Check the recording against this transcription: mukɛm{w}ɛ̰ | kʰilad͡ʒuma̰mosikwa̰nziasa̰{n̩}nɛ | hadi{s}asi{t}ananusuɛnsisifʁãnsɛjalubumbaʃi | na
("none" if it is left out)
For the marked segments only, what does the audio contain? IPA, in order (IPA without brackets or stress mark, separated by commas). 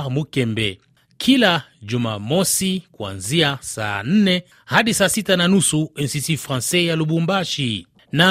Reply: b, n̩, s, t